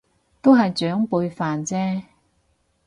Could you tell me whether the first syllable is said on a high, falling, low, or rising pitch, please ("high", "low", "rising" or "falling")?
high